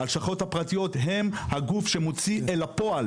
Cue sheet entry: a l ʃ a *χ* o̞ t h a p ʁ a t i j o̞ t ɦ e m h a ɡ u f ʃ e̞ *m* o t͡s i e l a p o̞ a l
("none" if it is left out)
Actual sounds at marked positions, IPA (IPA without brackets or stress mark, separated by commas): χ, m